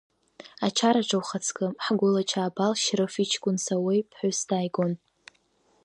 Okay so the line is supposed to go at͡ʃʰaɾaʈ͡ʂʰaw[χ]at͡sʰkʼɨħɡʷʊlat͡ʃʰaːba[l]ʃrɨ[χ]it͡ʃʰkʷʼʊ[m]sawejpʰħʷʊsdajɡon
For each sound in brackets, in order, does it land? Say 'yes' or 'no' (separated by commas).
yes, yes, no, no